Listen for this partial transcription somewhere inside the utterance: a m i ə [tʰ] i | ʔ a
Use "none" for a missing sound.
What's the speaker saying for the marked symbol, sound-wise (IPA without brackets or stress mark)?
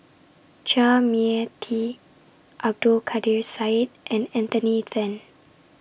tʰ